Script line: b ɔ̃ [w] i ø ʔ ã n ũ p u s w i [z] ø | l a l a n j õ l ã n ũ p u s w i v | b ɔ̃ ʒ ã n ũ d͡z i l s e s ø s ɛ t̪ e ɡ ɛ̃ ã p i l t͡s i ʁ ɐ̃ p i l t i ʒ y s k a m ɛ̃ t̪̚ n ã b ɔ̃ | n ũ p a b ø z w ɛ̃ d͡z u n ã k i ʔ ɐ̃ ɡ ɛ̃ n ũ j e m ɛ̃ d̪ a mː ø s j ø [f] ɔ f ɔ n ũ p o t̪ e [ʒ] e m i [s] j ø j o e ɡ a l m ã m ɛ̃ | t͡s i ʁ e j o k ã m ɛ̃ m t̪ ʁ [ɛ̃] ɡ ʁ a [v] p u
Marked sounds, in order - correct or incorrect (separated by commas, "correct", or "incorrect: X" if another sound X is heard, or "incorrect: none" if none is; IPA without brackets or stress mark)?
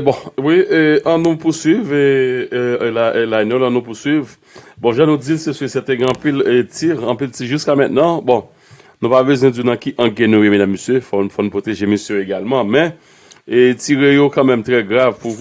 correct, incorrect: v, correct, correct, correct, incorrect: ɛ, correct